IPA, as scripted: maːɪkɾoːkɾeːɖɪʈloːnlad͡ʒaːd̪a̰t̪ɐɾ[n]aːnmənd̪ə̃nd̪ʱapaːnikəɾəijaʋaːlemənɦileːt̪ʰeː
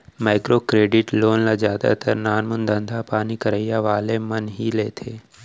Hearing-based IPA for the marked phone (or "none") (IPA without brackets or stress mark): n